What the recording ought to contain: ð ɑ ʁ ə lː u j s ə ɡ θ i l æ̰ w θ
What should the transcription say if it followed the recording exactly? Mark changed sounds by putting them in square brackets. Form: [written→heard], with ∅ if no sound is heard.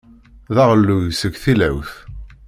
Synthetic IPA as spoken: ð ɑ ʁ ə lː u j s ə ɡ θ i l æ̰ w θ